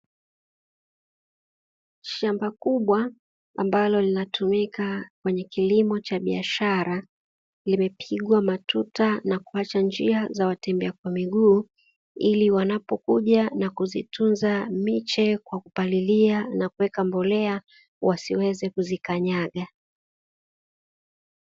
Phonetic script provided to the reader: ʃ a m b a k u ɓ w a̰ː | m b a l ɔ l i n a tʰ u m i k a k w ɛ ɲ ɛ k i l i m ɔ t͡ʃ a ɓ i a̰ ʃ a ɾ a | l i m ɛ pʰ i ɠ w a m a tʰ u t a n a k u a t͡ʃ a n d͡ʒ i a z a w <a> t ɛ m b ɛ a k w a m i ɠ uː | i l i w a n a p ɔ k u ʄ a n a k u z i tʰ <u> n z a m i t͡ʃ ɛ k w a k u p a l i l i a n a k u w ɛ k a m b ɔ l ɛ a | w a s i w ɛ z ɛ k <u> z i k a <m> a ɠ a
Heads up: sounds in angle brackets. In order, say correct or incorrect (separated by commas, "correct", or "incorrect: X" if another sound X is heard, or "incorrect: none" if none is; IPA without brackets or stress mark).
correct, correct, correct, incorrect: ɲ